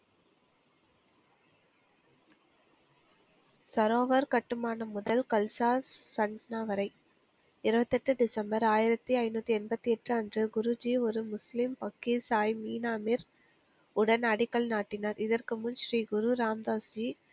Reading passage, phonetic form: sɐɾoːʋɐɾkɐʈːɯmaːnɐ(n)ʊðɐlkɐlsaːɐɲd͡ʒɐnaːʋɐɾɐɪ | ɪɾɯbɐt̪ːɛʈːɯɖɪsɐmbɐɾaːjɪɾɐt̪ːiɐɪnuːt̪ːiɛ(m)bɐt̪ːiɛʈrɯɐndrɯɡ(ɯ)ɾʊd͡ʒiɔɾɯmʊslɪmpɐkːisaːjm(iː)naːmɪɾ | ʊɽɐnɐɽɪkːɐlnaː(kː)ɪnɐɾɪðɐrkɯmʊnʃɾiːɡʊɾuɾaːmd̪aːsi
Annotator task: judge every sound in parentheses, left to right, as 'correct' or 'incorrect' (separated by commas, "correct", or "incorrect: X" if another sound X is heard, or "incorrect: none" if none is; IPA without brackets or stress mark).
incorrect: m, incorrect: n, incorrect: ʊ, correct, incorrect: ʈː